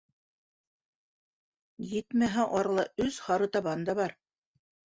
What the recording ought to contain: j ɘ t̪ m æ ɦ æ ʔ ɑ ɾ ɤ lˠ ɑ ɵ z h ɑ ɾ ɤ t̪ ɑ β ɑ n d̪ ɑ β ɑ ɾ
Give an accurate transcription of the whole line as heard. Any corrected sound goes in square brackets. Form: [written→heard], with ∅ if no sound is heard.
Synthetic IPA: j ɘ t̪ m æ ɦ æ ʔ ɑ ɾ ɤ lˠ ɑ ɵ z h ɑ ɾ ɤ t̪ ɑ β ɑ n d̪ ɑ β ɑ ɾ